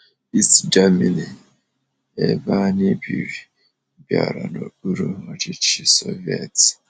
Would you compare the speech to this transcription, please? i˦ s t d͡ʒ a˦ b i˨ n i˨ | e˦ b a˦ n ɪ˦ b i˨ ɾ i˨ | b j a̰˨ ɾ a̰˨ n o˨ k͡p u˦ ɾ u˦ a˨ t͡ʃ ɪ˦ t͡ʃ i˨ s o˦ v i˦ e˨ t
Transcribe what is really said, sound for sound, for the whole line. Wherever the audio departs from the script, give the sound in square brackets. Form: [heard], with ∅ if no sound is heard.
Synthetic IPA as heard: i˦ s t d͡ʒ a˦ [m] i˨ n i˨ | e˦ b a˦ n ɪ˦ b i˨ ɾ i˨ | b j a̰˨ ɾ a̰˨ n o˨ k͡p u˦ ɾ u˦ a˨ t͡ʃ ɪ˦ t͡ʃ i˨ s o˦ v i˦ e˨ t

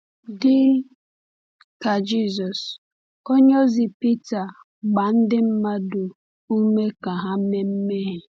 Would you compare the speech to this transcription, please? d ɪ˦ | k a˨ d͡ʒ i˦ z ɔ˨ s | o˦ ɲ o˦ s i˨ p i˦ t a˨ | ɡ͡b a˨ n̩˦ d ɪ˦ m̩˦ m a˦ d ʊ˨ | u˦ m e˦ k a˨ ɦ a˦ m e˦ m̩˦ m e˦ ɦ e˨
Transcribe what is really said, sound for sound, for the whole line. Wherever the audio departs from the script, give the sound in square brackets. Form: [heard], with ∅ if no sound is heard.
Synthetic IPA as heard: d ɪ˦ | k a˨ d͡ʒ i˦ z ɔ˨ s | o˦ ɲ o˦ [z] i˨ p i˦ t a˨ | ɡ͡b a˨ n̩˦ d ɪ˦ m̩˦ m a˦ d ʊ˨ | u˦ m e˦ k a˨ ɦ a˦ m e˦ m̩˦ m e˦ ɦ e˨

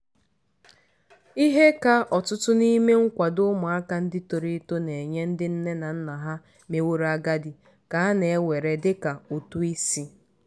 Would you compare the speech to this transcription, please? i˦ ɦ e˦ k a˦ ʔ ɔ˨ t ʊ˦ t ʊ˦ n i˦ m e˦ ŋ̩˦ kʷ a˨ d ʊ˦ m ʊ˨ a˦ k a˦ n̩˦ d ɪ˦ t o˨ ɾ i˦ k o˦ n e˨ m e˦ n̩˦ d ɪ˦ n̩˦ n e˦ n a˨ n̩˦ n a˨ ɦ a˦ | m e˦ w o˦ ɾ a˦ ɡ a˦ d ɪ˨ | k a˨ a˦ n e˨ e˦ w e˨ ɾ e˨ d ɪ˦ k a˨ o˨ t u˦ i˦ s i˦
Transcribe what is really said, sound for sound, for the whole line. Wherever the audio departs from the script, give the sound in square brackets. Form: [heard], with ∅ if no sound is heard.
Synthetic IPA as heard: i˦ ɦ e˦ k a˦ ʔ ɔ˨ t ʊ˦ t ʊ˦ n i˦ m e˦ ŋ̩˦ kʷ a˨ d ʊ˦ m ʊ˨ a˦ k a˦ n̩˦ d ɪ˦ t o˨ ɾ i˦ [t] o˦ n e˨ [ɲ] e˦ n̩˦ d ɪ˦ n̩˦ n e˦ n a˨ n̩˦ n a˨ ɦ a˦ | m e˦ w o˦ ɾ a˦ ɡ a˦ d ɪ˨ | k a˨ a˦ n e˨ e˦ w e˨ ɾ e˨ d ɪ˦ k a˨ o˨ t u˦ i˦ s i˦

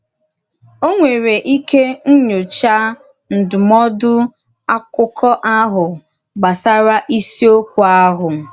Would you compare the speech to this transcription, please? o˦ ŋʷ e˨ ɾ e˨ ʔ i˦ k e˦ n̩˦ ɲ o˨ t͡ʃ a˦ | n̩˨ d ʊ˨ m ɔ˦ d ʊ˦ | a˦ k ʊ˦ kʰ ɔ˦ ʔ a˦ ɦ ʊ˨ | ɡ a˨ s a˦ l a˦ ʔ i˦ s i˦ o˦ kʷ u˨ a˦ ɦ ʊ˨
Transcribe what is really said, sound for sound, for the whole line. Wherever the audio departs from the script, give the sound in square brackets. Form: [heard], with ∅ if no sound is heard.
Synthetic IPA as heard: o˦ ŋʷ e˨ ɾ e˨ ʔ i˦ k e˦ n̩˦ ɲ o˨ t͡ʃ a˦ | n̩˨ d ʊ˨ m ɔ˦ d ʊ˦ | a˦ k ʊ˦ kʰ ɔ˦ ʔ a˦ ɦ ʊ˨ | [ɡ͡b] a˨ s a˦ [ɾ] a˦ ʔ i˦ s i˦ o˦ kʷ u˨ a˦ ɦ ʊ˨

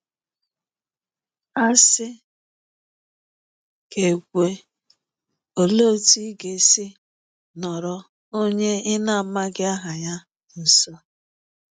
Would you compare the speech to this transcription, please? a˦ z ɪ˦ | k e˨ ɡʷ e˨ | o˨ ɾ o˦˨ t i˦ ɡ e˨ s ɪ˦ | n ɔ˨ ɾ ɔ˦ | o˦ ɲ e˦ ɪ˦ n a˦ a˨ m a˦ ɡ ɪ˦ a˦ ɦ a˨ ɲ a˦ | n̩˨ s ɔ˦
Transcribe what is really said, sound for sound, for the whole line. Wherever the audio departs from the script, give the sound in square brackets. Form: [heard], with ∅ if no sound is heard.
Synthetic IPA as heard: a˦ [s] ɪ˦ | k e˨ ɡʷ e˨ | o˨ [l] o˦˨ t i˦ ɡ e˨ s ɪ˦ | n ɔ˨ ɾ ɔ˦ | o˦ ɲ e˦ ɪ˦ n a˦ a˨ m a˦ ɡ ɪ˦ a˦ ɦ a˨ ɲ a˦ | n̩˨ s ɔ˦

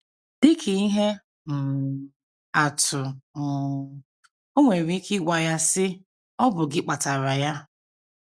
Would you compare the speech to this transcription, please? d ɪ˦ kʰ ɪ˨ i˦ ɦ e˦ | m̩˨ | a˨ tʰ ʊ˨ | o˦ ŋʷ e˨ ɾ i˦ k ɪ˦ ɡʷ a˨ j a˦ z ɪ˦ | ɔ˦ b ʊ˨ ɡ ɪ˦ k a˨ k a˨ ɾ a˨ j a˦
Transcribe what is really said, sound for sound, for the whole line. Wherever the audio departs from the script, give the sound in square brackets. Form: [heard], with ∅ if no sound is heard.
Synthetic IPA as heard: d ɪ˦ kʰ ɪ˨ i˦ ɦ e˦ | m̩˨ | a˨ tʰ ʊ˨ | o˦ ŋʷ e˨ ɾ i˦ k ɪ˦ ɡʷ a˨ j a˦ [s] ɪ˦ | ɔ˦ b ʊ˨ ɡ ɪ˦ [k͡p] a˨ [t] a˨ ɾ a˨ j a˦

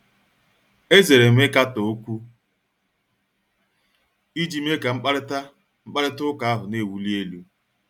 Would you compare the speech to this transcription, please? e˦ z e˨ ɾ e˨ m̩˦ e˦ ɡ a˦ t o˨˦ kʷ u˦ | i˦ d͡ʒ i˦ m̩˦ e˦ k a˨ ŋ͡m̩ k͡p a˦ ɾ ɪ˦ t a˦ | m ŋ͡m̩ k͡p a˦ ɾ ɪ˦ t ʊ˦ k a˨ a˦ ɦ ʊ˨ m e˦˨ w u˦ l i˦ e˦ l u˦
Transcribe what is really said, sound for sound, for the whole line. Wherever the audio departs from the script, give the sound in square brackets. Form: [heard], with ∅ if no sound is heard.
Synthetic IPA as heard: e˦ z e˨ ɾ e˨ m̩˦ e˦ [k] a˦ t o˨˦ kʷ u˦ | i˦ d͡ʒ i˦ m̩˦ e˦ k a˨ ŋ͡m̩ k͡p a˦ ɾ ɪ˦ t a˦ | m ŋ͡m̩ k͡p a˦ ɾ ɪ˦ t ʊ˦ k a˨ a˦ ɦ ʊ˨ [n] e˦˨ w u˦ l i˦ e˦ l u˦

